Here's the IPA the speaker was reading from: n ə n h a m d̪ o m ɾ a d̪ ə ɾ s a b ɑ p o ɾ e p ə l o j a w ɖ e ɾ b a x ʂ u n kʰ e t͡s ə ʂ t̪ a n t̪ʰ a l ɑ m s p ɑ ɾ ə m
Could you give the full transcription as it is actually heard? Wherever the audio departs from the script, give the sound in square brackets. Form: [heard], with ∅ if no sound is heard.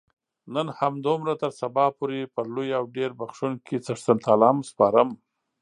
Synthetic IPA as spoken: n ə n h a m d̪ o m ɾ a [t̪] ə ɾ s a b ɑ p o ɾ e p ə l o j a w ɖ e ɾ b a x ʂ u n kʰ e t͡s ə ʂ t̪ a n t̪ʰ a l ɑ m s p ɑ ɾ ə m